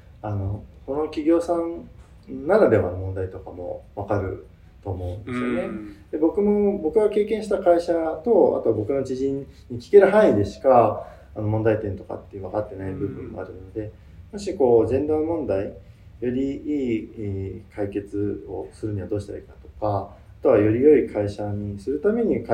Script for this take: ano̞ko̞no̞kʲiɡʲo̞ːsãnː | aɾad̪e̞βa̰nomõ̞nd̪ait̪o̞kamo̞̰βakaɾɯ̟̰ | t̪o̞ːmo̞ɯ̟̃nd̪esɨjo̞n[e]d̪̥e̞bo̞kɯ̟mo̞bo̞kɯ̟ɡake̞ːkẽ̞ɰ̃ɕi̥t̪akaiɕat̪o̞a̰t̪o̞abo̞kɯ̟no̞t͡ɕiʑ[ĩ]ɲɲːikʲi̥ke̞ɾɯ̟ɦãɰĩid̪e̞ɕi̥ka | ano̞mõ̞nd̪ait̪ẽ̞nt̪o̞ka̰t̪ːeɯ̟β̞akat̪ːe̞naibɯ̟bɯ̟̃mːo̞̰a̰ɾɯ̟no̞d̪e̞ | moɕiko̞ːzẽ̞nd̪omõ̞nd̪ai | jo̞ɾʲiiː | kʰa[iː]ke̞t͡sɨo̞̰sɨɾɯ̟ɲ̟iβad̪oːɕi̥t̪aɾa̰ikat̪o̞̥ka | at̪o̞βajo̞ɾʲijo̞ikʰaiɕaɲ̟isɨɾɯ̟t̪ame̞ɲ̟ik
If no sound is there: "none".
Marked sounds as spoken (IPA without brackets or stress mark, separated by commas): e, ĩ, i